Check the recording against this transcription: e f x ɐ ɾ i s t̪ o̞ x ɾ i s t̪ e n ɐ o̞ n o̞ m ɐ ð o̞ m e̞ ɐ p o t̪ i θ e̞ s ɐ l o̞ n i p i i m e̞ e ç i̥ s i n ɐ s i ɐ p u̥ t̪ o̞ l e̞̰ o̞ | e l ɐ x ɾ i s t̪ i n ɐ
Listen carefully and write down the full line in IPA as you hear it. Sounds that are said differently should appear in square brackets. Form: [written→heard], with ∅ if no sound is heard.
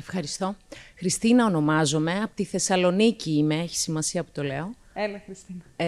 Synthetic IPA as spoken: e f x ɐ ɾ i s t̪ o̞ x ɾ i s t̪ [e→i] n ɐ o̞ n o̞ m ɐ [ð→z] o̞ m e̞ ɐ p o t̪ i θ e̞ s ɐ l o̞ n i [p→c] i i m e̞ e ç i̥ s i [n→m] ɐ s i ɐ p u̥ t̪ o̞ l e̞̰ o̞ | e l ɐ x ɾ i s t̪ i n ɐ